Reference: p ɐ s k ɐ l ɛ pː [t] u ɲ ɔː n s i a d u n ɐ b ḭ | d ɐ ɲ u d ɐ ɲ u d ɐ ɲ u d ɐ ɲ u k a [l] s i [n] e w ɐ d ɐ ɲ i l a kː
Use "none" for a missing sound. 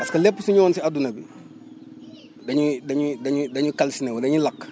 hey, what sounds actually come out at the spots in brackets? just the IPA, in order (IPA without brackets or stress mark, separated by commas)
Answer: s, l, n